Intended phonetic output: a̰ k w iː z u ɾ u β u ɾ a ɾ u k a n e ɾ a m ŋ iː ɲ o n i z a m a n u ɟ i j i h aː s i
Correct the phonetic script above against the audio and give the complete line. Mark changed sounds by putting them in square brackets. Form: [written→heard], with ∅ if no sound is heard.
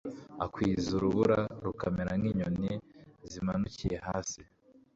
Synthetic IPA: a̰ k w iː z u ɾ u β u ɾ a ɾ u k a [n→m] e ɾ a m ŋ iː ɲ o n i z [a→i] m a n u [ɟ→c] i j [i→e] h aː s i